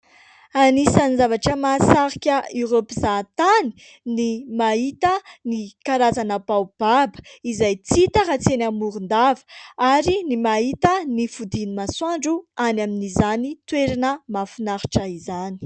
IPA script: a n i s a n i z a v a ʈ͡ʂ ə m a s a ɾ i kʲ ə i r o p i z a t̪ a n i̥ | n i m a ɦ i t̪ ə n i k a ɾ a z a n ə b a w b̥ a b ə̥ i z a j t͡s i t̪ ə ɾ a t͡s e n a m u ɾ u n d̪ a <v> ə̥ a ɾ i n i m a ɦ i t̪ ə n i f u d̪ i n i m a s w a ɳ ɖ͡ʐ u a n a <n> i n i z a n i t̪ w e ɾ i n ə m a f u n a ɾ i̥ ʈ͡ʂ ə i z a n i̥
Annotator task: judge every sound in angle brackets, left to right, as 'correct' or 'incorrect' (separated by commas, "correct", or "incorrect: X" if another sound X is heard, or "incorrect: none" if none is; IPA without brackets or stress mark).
correct, incorrect: m